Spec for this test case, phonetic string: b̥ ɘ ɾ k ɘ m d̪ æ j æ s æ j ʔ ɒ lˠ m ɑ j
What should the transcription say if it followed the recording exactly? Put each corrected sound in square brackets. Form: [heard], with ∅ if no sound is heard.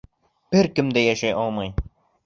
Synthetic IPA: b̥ ɘ ɾ k ɘ m d̪ æ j æ [ʃ] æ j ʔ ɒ lˠ m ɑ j

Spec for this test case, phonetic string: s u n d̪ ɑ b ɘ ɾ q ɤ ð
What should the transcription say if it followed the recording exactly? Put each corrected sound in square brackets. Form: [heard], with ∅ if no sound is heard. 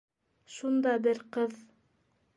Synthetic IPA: [ʃ] u n d̪ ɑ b ɘ ɾ q ɤ ð

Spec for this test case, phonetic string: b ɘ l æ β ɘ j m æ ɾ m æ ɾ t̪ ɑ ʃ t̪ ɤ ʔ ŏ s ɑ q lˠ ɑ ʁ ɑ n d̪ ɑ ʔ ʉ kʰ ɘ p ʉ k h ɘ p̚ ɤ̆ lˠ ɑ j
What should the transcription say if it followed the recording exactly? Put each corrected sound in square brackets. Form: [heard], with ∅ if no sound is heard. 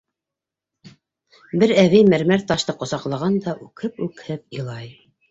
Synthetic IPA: b ɘ [ɾ] æ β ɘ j m æ ɾ m æ ɾ t̪ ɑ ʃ t̪ ɤ [q] ŏ s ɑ q lˠ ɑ ʁ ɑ n d̪ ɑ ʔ ʉ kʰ ɘ p ʉ k h ɘ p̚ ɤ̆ lˠ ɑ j

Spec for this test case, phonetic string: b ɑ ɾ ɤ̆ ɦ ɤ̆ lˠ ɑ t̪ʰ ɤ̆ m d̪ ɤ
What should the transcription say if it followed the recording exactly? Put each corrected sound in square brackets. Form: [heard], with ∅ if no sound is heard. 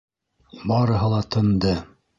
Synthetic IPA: b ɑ ɾ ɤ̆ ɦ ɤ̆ lˠ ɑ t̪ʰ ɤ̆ [n] d̪ ɤ

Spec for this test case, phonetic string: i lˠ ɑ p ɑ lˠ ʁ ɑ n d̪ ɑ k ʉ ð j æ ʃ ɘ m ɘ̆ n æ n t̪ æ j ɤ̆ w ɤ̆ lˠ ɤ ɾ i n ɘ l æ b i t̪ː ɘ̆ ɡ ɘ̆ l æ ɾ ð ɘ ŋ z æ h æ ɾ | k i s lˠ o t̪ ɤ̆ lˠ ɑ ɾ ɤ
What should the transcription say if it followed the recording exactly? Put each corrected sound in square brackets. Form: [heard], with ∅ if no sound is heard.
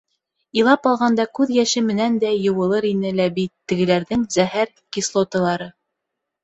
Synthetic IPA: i lˠ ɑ p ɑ lˠ ʁ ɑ n d̪ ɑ k ʉ ð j æ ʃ ɘ m ɘ̆ n æ n [d̪] æ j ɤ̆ w ɤ̆ lˠ ɤ ɾ i n ɘ l æ b i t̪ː ɘ̆ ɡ ɘ̆ l æ ɾ ð ɘ ŋ z æ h æ ɾ | k i s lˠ o t̪ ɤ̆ lˠ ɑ ɾ ɤ

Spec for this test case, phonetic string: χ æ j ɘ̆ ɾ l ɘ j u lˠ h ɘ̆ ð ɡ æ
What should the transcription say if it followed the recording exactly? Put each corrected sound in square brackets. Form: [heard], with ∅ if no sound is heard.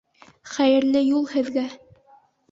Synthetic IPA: χ æ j ɘ̆ ɾ l ɘ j u lˠ h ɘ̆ ð ɡ æ

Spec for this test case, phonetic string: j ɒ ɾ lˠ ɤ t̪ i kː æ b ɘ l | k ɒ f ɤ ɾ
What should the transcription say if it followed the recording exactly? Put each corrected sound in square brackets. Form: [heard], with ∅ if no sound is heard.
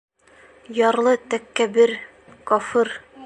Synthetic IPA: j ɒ ɾ lˠ ɤ t̪ [æ] kː æ b ɘ [ɾ] | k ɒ f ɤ ɾ

